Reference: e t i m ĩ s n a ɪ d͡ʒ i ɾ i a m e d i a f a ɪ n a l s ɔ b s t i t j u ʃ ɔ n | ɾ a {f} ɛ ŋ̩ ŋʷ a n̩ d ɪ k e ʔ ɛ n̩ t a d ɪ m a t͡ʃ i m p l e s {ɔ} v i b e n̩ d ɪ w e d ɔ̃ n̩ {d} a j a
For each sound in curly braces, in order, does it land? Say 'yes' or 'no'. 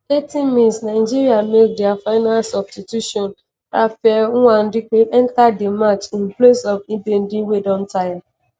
yes, yes, no

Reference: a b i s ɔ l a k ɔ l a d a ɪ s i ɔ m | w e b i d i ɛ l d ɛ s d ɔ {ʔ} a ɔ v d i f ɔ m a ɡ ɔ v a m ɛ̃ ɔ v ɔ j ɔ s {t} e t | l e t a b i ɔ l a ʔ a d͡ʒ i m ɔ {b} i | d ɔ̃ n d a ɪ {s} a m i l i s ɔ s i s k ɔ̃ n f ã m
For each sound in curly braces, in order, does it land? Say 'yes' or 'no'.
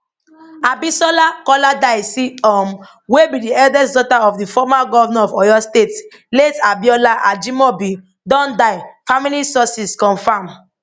no, yes, yes, no

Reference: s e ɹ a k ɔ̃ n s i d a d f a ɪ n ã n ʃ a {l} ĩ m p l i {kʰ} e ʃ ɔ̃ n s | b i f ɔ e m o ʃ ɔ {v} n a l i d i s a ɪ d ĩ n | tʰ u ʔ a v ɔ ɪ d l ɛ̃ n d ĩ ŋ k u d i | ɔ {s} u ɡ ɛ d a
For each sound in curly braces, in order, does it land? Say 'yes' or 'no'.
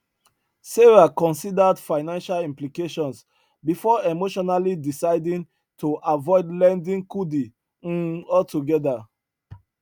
yes, no, no, no

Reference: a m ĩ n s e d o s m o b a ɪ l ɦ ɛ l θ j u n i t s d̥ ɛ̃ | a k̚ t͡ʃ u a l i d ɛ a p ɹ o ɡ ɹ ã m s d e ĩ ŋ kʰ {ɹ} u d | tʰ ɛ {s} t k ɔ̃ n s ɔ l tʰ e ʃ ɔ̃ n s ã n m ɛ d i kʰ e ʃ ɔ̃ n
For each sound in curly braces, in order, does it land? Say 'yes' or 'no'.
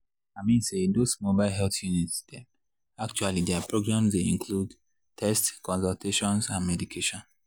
no, yes

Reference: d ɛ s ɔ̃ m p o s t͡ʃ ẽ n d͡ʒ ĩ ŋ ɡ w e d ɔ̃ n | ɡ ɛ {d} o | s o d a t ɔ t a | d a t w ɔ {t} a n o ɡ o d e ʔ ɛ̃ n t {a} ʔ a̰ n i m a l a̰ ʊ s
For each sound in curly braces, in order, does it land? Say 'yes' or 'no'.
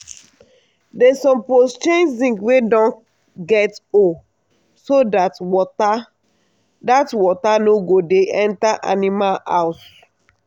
no, yes, yes

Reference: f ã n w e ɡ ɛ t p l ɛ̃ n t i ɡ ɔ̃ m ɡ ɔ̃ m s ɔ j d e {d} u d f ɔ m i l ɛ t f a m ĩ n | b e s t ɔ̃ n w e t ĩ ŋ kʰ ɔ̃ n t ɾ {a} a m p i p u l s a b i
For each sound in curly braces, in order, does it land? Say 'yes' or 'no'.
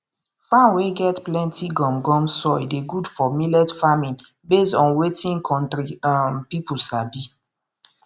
no, no

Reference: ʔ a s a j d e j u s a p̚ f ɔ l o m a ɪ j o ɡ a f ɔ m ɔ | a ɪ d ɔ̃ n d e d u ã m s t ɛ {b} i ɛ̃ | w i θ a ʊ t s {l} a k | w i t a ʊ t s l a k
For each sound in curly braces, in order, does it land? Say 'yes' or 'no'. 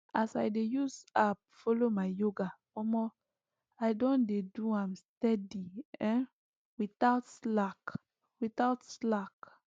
no, yes

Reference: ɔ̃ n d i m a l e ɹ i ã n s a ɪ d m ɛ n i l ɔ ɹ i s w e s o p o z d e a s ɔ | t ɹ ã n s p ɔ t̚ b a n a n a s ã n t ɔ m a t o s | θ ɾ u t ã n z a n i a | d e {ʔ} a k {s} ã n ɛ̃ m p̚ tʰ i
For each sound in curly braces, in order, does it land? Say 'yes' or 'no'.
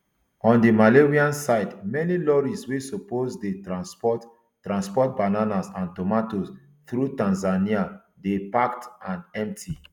no, no

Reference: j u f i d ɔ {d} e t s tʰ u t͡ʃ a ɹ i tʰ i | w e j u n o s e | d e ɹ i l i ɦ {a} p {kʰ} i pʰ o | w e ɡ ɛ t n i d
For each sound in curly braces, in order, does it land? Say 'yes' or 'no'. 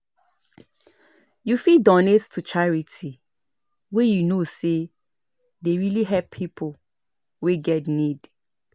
no, no, no

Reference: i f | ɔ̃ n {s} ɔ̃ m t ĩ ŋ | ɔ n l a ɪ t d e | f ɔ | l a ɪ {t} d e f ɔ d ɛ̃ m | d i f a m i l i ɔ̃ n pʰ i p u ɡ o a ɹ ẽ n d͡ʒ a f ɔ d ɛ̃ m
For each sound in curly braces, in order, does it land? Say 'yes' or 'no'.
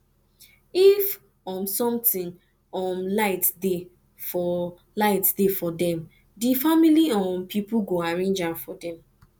yes, yes

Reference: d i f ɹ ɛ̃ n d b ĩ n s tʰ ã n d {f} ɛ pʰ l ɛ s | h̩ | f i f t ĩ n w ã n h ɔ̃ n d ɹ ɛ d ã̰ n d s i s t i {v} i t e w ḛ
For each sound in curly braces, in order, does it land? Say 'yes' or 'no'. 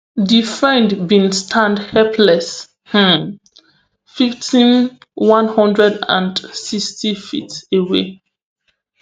no, no

